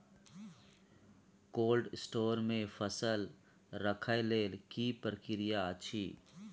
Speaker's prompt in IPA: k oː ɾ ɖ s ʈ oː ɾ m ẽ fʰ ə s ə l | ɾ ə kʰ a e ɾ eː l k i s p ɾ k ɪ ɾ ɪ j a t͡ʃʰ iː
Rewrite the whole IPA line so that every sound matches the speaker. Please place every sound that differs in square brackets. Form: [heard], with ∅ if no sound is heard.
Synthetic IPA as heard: k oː [l] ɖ s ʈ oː ɾ m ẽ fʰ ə s ə l | ɾ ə kʰ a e [l] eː l k i [∅] p ɾ k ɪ ɾ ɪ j a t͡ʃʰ iː